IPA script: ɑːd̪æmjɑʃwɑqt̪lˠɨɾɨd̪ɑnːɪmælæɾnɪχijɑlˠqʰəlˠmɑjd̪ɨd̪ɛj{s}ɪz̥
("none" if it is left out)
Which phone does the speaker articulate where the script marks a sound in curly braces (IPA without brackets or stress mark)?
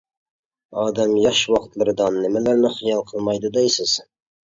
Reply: s